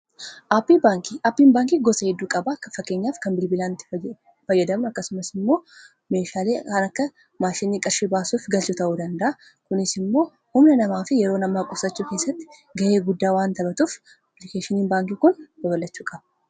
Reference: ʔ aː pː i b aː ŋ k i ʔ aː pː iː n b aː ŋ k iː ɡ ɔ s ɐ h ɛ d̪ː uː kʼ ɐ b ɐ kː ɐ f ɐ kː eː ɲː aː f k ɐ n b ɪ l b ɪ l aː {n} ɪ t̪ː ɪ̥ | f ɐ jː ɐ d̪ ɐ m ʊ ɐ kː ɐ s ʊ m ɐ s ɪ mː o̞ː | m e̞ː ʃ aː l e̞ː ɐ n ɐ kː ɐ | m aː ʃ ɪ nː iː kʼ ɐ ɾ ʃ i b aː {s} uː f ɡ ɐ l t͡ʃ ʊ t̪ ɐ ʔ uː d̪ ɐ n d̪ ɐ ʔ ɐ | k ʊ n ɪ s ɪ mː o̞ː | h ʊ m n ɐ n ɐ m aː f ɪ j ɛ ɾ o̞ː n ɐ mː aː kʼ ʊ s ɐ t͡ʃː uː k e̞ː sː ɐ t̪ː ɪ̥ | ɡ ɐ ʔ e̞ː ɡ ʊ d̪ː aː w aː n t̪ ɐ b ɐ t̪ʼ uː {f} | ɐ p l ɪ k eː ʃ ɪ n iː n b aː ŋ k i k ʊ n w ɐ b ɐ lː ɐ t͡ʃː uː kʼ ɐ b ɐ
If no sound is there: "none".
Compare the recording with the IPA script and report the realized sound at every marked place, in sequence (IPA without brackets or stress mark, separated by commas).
n, s, f